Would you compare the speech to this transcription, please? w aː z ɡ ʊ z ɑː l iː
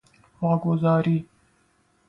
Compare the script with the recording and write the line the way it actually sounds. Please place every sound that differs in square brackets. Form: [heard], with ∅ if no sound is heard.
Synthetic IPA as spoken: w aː [∅] ɡ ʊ z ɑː [ɾ] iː

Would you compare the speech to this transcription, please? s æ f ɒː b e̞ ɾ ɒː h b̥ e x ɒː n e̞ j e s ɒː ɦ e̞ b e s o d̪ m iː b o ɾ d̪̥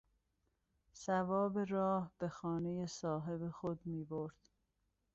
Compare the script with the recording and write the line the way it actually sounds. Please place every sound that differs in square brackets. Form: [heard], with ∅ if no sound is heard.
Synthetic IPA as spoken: s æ [v] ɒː b e̞ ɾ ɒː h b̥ e x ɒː n e̞ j e s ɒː ɦ e̞ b e [x] o d̪ m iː b o ɾ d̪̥

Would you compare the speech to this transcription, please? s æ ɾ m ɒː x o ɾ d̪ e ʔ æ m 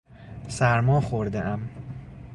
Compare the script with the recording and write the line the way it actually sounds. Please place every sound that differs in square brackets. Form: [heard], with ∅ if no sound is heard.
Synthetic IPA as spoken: s æ ɾ m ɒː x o ɾ d̪ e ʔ æ m

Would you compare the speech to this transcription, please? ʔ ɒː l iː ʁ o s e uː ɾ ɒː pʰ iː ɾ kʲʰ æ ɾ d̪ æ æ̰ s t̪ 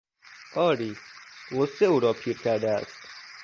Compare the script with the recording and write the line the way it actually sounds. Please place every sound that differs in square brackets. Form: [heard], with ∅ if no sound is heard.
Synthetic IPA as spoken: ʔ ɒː [ɾ] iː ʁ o s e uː ɾ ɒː pʰ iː ɾ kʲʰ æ ɾ d̪ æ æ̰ s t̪

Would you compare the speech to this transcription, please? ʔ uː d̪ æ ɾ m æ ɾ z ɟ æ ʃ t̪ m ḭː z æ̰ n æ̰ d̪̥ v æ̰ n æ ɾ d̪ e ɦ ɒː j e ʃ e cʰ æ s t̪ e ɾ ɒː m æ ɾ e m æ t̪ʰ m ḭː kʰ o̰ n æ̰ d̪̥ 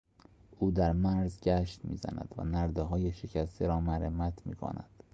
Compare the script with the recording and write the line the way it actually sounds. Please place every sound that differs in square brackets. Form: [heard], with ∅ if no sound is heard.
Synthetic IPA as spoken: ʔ uː d̪ æ ɾ m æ ɾ z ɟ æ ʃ t̪ m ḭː z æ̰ n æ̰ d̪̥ v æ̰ n æ ɾ d̪ e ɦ ɒː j e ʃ e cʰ æ s t̪ e ɾ ɒː m æ ɾ e m æ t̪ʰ m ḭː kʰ o̰ n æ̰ d̪̥

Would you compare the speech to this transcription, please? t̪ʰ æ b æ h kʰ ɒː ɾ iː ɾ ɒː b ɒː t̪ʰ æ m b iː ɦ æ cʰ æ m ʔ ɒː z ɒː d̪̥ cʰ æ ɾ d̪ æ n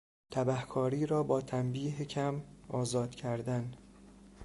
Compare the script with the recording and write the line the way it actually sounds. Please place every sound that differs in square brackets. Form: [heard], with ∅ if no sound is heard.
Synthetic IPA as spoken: t̪ʰ æ b æ h kʰ ɒː ɾ iː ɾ ɒː b ɒː t̪ʰ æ m b iː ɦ [e] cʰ æ m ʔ ɒː z ɒː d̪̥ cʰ æ ɾ d̪ æ n

